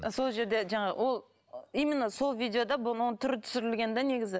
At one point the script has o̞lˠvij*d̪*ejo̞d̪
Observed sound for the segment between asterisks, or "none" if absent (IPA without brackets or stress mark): d̪